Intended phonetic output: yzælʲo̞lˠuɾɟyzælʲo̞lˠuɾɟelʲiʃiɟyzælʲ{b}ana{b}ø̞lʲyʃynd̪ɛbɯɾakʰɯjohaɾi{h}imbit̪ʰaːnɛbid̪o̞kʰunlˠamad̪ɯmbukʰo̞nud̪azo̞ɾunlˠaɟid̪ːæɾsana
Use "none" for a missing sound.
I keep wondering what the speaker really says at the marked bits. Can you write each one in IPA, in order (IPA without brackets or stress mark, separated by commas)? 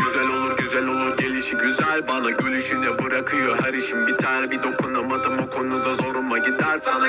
b, ɟ, ʃ